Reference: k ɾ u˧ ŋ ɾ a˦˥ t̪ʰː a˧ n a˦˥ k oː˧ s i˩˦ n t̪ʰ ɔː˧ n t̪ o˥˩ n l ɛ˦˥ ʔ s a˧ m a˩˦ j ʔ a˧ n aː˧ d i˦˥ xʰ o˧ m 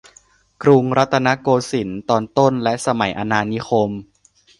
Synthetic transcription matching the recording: k ɾ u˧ ŋ ɾ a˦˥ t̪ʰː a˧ n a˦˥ k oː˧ s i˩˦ n t̪ ɔː˧ n t̪ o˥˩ n l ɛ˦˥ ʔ s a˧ m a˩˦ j ʔ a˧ n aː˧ n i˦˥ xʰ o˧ m